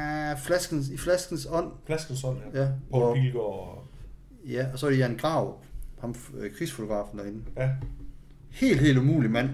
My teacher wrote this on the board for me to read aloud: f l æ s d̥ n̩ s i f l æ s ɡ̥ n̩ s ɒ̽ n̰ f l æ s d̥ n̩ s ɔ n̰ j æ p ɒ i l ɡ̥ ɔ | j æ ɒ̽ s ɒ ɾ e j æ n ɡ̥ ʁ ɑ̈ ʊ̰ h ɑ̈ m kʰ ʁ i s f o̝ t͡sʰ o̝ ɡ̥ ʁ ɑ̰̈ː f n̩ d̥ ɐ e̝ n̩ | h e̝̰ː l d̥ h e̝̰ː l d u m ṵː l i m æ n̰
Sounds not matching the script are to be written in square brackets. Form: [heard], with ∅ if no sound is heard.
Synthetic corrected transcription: f l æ s [ɡ̥] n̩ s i f l æ s ɡ̥ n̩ s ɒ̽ n̰ f l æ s [ɡ̥] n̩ s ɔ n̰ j æ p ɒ i l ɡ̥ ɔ | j æ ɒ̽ s ɒ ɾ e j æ n ɡ̥ ʁ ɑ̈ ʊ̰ h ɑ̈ m kʰ ʁ i s f o̝ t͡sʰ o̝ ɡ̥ ʁ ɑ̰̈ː f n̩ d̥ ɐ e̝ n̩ | h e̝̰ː l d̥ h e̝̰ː l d u m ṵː l i m æ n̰